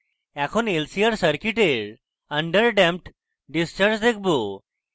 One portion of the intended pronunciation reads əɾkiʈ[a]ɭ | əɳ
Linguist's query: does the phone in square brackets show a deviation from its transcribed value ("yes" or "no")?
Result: yes